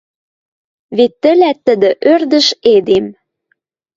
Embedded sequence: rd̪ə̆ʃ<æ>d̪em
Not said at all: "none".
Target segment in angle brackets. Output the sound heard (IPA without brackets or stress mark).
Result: e